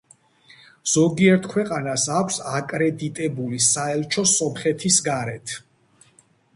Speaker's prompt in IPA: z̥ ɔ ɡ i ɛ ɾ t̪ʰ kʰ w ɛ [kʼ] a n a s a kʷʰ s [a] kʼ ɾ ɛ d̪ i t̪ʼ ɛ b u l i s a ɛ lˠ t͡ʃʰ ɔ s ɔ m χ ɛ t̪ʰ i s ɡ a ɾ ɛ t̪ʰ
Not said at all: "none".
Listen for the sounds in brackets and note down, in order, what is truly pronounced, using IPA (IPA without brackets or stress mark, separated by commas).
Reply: qʼ, a